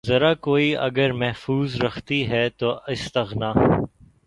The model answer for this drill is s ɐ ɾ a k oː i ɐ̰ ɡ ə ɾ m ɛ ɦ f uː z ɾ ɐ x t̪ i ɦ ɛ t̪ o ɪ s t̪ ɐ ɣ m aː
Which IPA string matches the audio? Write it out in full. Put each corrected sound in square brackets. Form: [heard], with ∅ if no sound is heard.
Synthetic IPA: [z] ɐ ɾ a k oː i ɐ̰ ɡ ə ɾ m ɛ ɦ f uː z ɾ ɐ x t̪ i ɦ ɛ t̪ o ɪ s t̪ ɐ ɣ [n] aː